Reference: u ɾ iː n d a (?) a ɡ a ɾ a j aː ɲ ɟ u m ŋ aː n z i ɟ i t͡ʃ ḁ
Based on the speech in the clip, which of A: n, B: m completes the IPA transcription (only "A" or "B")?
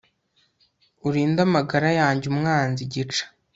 B